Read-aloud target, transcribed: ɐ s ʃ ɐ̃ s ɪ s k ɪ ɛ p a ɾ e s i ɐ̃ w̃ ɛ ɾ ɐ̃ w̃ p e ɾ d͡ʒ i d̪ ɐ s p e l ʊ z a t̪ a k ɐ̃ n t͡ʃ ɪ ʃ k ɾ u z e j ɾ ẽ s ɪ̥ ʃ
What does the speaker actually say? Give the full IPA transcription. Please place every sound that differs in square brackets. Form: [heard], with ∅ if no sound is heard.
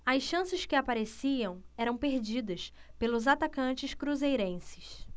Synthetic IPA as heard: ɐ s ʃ ɐ̃ s ɪ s k ɪ [a] p a ɾ e s i ɐ̃ w̃ ɛ ɾ ɐ̃ w̃ p e ɾ d͡ʒ i d̪ ɐ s p e l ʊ z a t̪ a k ɐ̃ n t͡ʃ ɪ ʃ k ɾ u z e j ɾ ẽ s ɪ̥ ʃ